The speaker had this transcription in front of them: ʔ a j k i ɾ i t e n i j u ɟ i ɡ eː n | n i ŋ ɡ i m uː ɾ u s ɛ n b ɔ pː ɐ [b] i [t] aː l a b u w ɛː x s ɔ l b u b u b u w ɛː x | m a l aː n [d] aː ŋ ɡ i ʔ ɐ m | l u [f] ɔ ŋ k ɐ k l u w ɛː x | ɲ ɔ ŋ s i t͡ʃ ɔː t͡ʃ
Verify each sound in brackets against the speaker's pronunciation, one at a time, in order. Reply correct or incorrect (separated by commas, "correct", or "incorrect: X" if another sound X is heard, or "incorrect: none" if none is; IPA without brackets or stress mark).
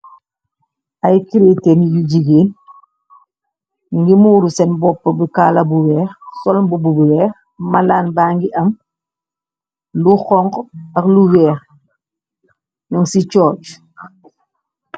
correct, incorrect: k, incorrect: b, incorrect: x